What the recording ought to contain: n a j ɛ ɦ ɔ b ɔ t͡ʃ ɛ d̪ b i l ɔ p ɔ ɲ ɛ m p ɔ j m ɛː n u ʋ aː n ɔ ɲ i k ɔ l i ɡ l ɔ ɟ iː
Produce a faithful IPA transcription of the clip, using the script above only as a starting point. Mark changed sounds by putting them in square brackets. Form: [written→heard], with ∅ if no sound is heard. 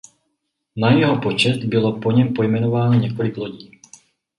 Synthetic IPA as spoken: n a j ɛ ɦ ɔ [b→p] ɔ t͡ʃ ɛ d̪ b i l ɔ p ɔ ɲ ɛ m p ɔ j m [ɛː→ɛ] n [u→ɔ] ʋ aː n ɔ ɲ [i→ɛ] k ɔ l i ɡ l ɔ ɟ iː